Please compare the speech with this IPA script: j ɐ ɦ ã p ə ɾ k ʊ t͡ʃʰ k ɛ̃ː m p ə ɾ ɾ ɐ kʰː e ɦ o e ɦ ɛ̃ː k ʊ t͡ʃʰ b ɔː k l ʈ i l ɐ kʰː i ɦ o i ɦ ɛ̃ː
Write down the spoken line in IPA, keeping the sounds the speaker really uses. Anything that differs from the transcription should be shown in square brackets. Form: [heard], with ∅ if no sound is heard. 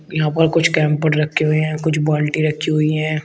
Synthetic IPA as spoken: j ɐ ɦ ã p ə ɾ k ʊ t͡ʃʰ k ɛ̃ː m p ə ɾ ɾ ɐ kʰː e ɦ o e ɦ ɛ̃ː k ʊ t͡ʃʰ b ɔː [∅] l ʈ i [ɾ] ɐ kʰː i ɦ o i ɦ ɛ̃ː